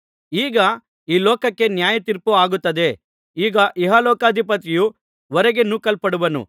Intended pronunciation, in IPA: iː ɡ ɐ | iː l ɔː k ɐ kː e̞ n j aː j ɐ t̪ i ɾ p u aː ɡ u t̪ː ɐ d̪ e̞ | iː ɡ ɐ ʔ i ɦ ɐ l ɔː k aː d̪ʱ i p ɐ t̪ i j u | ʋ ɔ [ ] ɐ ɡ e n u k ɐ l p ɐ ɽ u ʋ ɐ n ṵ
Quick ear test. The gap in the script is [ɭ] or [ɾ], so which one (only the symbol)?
ɾ